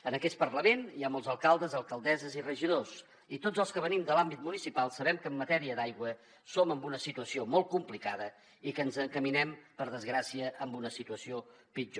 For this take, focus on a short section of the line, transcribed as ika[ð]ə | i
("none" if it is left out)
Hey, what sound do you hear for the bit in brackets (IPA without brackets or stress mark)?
ð